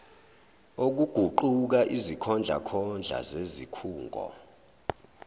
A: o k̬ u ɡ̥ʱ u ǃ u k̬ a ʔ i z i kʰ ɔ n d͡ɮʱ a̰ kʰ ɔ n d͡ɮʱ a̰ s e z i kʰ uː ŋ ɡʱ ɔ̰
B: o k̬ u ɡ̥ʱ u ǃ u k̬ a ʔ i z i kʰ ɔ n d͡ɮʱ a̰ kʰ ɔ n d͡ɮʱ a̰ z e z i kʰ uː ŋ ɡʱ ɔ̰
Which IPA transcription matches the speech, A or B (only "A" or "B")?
B